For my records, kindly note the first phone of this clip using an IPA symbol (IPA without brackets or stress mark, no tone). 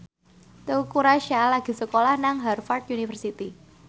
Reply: t̪